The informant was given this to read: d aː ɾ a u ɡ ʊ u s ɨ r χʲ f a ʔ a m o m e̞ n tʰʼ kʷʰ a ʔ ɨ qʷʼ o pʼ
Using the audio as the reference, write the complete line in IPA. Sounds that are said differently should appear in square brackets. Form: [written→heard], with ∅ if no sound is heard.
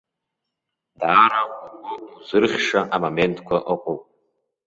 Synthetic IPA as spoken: d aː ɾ a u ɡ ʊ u [s→z] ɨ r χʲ [f→ʂ] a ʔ a m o m e̞ n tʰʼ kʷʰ a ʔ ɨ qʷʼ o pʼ